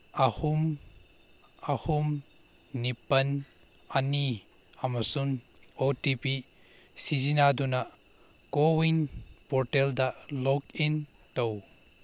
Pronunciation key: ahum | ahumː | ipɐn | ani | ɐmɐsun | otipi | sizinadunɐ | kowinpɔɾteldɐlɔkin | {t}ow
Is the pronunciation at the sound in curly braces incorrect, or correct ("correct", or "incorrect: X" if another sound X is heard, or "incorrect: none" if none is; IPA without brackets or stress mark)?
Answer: correct